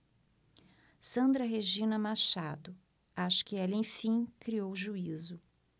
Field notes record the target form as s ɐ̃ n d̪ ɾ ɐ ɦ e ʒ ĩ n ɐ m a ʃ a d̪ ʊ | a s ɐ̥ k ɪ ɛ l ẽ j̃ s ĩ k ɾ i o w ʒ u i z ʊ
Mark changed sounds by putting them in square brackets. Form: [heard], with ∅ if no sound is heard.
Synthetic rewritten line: s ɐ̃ n d̪ ɾ ɐ ɦ e ʒ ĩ n ɐ m a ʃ a d̪ ʊ | a [ʃ] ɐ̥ k ɪ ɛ l ẽ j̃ [f] ĩ k ɾ i o w ʒ u i z ʊ